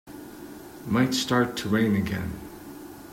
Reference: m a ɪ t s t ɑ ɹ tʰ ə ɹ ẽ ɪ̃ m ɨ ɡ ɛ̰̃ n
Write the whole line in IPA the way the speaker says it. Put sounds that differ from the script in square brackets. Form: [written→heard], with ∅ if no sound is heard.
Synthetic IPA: m a ɪ t s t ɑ ɹ tʰ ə ɹ ẽ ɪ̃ [m→n] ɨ ɡ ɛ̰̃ n

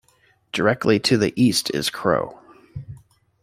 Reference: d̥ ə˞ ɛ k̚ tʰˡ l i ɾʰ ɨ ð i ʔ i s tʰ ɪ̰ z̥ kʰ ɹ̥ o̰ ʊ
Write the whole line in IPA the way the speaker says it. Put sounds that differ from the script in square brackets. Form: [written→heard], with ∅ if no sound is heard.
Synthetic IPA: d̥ ə˞ ɛ k̚ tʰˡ l i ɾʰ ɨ ð i ʔ i s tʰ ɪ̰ z̥ kʰ ɹ̥ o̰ ʊ

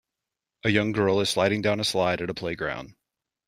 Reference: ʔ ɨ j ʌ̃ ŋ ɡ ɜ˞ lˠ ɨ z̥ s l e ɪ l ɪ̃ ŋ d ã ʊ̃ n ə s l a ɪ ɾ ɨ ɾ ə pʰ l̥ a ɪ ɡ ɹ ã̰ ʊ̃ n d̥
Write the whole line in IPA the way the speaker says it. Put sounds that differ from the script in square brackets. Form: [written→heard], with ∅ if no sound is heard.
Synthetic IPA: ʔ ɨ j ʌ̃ ŋ ɡ ɜ˞ lˠ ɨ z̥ s l [e→a] ɪ [l→ɾ] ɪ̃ ŋ d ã ʊ̃ n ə s l a ɪ ɾ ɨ ɾ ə pʰ l̥ [a→e] ɪ ɡ ɹ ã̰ ʊ̃ n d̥

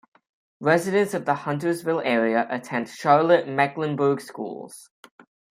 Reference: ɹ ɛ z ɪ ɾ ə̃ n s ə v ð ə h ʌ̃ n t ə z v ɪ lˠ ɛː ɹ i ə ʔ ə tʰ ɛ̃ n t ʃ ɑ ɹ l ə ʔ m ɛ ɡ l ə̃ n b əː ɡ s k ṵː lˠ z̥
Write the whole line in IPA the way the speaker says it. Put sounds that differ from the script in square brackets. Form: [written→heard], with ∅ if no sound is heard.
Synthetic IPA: ɹ ɛ z ɪ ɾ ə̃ n s ə v ð ə h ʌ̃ n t ə z v ɪ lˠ ɛː ɹ i ə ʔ ə tʰ ɛ̃ n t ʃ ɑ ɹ l ə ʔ m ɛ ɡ l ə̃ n b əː ɡ s k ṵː lˠ z̥

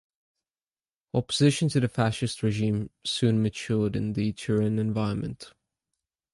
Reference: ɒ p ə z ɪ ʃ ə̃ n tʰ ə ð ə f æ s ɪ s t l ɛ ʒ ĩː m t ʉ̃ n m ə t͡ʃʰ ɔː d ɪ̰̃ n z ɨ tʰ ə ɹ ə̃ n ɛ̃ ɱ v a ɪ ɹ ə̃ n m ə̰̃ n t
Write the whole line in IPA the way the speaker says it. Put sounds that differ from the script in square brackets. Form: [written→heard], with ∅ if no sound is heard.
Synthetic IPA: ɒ p ə z ɪ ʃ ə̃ n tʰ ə ð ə f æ [s→ʃ] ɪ s t [l→ɹ] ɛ ʒ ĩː m [t→s] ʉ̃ n m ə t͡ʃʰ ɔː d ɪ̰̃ n [z→ð] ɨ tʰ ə ɹ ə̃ n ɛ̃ ɱ v a ɪ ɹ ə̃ n m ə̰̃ n t

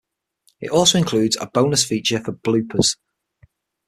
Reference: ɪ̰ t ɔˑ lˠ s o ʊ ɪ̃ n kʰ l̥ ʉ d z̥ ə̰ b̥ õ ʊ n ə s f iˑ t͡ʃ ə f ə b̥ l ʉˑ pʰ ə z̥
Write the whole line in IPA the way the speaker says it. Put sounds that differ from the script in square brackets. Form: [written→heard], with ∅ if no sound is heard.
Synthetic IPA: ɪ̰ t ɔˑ lˠ s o ʊ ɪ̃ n kʰ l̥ [ʉ→ʉː] d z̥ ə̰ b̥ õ ʊ n ə s f iˑ t͡ʃ ə f ə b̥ l ʉˑ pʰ ə z̥

